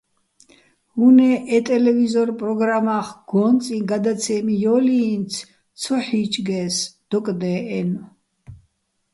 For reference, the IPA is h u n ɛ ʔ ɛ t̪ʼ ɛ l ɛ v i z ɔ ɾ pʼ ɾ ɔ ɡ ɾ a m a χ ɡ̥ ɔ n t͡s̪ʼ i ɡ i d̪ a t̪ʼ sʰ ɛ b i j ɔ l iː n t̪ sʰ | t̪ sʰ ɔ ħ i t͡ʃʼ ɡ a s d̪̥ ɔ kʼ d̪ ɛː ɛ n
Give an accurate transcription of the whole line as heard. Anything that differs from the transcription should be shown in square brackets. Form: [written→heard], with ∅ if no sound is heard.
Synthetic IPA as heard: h u n ɛ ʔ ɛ t̪ʼ ɛ l ɛ v i z ɔ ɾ pʼ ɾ ɔ ɡ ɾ a m a χ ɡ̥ ɔ n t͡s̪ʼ i ɡ [i→a] d̪ a [t̪ʼ→t̪] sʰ ɛ [b→m] i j ɔ l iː n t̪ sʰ | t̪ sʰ ɔ ħ i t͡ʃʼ ɡ [a→ɛ] s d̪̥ ɔ kʼ d̪ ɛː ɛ n